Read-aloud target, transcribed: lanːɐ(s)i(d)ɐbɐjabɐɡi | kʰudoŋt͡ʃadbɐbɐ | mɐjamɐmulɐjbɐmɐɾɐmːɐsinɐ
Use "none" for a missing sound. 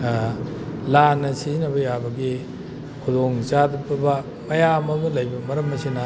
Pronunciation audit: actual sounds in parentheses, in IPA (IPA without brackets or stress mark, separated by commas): s, n